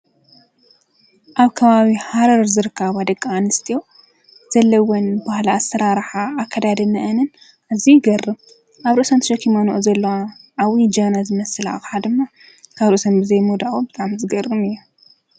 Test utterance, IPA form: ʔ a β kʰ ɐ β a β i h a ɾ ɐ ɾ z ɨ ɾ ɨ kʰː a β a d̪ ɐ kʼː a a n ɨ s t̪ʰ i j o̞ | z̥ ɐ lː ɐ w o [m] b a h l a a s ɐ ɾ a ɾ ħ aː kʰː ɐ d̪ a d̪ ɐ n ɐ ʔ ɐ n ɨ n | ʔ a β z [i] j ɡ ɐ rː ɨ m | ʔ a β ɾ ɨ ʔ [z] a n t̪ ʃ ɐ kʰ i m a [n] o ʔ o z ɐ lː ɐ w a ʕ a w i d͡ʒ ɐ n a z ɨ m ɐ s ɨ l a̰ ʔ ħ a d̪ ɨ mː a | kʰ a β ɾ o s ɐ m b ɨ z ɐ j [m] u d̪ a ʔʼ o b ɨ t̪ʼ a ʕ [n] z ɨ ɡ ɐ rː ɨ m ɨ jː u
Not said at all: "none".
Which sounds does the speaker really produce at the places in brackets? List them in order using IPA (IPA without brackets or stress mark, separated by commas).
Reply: n, i, s, n, m, m